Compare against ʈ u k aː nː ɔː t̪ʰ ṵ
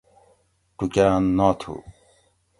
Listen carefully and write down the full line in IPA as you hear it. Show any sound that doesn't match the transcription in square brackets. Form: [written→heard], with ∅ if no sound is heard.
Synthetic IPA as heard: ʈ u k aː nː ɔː t̪ʰ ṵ